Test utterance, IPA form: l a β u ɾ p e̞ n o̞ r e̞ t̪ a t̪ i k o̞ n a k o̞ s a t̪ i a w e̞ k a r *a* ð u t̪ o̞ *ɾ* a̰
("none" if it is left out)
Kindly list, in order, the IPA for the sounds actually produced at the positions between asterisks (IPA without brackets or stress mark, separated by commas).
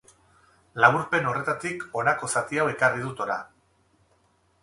i, ɾ